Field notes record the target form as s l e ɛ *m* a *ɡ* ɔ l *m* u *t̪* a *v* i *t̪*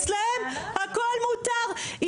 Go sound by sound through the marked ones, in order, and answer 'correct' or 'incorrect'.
correct, incorrect: k, correct, correct, incorrect: ʁ, incorrect: none

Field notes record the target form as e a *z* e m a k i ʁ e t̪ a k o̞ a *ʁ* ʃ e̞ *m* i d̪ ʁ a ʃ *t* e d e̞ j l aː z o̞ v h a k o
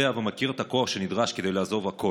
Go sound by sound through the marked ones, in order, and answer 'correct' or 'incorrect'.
incorrect: v, incorrect: χ, incorrect: n, incorrect: k

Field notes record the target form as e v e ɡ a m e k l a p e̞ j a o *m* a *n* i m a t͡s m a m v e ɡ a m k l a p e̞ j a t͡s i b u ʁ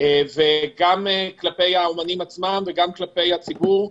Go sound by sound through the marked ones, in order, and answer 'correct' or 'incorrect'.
correct, correct

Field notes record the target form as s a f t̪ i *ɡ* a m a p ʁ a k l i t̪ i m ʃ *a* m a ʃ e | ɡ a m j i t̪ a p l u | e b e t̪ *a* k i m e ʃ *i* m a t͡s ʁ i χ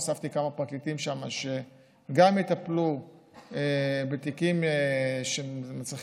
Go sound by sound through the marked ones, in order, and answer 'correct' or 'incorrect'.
incorrect: k, correct, incorrect: i, incorrect: e

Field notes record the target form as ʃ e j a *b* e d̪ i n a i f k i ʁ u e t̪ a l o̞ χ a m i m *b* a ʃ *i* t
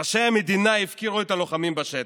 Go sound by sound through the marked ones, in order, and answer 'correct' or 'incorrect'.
incorrect: m, correct, incorrect: e

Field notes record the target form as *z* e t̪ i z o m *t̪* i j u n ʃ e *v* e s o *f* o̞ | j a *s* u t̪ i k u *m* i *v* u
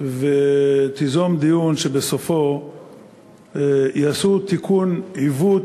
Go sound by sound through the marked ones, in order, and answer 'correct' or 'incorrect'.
incorrect: v, incorrect: d̪, incorrect: b, correct, correct, incorrect: n, correct

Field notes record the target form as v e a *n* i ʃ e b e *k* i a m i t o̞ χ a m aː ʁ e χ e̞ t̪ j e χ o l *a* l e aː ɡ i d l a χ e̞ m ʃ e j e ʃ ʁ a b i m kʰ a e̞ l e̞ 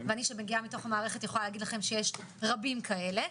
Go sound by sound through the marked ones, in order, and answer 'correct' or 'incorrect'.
correct, incorrect: ɡ, correct

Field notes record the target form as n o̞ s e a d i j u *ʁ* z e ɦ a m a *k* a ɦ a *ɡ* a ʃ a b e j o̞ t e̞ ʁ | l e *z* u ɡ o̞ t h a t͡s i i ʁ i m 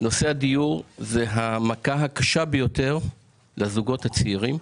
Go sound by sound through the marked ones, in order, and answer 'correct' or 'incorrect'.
correct, correct, incorrect: k, correct

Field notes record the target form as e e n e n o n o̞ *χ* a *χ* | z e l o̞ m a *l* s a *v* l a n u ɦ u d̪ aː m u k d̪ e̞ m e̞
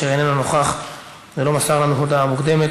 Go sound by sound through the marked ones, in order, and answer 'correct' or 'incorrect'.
correct, correct, incorrect: none, incorrect: ʁ

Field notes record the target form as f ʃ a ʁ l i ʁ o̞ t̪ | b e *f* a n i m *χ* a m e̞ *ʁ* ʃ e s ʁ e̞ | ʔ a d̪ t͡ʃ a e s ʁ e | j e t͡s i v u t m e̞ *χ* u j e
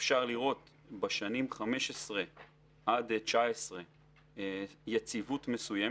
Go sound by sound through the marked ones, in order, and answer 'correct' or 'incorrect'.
incorrect: ʃ, correct, incorrect: none, incorrect: s

